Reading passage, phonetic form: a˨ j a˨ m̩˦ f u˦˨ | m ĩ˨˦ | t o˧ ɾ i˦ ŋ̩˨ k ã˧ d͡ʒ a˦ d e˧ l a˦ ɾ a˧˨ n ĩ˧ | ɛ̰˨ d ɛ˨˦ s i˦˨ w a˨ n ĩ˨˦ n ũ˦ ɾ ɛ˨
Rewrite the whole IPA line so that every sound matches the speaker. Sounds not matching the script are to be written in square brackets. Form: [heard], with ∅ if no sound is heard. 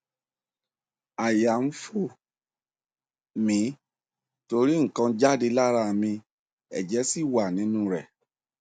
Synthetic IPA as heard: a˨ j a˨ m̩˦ f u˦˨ | m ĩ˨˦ | t o˧ ɾ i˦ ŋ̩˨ k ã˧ d͡ʒ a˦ d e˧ l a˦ ɾ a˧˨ [m] ĩ˧ | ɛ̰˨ [d͡ʒ] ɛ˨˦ s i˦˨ w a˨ n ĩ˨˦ n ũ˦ ɾ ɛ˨